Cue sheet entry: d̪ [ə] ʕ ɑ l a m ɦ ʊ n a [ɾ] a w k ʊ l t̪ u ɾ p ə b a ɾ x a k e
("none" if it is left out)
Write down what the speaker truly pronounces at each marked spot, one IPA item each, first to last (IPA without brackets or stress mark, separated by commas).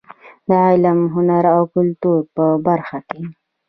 ə, ɾ